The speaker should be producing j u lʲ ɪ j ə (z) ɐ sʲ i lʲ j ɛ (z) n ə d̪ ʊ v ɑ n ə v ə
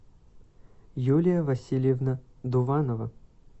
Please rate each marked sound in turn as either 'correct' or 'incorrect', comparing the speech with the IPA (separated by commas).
incorrect, incorrect